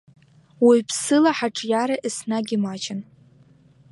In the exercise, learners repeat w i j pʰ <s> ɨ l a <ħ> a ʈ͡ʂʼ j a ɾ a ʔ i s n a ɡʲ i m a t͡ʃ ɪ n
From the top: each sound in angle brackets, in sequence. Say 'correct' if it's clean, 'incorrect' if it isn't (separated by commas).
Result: correct, correct